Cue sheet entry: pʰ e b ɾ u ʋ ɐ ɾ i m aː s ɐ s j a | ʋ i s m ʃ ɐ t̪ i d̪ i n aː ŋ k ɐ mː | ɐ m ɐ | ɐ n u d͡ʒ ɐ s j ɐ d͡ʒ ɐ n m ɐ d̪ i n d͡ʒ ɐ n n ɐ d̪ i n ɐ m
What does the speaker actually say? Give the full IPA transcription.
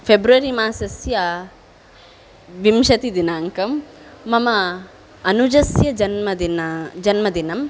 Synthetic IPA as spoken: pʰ e b ɾ u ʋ ɐ ɾ i m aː s ɐ s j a | ʋ i m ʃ ɐ t̪ i d̪ i n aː ŋ k ɐ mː | ɐ m ɐ | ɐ n u d͡ʒ ɐ s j ɐ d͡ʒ ɐ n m ɐ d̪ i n d͡ʒ ɐ n m ɐ d̪ i n ɐ m